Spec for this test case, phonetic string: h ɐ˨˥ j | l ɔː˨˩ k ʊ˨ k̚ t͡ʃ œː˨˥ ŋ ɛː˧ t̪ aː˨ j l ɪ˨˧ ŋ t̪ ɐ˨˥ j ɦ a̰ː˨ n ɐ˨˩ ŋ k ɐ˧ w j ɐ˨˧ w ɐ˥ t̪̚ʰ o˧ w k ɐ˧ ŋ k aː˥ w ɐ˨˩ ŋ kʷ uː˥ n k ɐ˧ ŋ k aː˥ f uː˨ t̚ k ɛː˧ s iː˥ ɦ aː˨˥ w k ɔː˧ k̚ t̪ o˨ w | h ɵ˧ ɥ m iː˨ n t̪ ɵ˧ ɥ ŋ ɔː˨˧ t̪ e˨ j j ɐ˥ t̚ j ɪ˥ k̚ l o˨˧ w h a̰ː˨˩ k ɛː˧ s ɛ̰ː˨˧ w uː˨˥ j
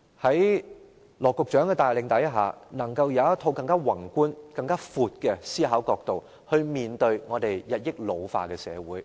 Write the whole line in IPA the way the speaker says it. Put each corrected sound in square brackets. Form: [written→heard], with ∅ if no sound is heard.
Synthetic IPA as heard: h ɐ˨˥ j | l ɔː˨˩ k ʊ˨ k̚ t͡ʃ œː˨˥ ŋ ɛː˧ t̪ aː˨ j l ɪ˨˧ ŋ t̪ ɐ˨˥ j ɦ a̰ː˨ n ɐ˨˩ ŋ k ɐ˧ w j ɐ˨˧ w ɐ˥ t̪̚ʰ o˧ w k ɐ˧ ŋ k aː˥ w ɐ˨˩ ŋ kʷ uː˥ n k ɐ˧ ŋ k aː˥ f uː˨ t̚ k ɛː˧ s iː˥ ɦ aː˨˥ w k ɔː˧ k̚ t̪ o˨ w | h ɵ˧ ɥ m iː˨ n t̪ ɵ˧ ɥ ŋ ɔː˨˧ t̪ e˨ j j [ɐ˥→ɐ˨] t̚ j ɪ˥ k̚ l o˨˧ w [h→f] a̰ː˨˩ k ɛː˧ s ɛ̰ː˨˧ w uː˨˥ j